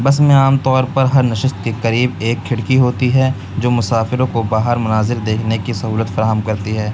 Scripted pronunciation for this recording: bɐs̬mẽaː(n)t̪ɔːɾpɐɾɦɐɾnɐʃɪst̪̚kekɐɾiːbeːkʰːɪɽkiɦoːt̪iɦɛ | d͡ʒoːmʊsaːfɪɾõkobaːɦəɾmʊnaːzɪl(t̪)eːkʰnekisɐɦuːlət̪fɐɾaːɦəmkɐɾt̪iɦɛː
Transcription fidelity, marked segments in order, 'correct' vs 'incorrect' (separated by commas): incorrect, incorrect